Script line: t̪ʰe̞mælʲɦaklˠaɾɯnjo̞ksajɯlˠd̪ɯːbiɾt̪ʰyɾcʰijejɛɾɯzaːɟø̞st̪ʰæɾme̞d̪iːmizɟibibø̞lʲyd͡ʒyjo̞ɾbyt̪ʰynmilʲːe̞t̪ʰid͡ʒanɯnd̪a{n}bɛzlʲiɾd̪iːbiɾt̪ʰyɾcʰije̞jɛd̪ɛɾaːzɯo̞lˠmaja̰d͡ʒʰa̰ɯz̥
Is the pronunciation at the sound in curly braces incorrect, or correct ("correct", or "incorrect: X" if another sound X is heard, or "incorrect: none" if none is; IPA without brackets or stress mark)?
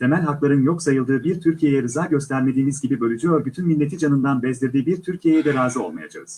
correct